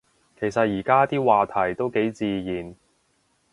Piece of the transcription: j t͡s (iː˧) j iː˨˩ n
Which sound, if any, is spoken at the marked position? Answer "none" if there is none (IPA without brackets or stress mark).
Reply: iː˧